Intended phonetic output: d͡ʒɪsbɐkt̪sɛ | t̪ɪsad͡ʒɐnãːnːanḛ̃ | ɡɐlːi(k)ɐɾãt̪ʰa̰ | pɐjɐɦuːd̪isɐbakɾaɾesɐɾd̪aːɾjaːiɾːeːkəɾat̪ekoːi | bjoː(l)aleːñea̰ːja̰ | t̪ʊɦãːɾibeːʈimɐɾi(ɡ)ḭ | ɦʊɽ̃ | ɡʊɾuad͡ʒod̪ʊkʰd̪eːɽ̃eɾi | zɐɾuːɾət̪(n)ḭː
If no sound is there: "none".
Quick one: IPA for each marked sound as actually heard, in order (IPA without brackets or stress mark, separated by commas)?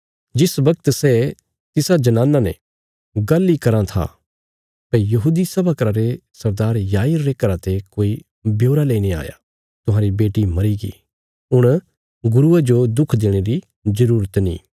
k, ɾ, ɡ, n